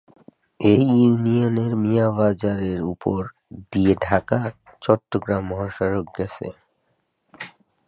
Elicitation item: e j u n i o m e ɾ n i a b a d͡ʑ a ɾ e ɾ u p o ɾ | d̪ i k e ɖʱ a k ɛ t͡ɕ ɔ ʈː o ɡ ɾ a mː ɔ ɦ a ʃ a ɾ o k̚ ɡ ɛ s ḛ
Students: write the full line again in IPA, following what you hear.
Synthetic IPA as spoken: e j u n i o n e ɾ m i a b a d͡ʑ a ɾ e ɾ u p o ɾ | d̪ i e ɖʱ a k a t͡ɕ ɔ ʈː o ɡ ɾ a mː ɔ ɦ a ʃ a ɾ o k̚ ɡ ɛ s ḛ